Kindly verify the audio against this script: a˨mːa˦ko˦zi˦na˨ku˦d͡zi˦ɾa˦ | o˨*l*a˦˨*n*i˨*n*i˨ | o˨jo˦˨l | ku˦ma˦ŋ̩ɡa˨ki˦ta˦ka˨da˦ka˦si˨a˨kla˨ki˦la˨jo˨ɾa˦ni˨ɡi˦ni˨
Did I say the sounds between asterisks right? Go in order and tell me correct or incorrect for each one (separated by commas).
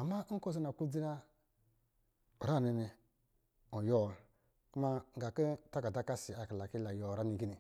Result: incorrect, correct, correct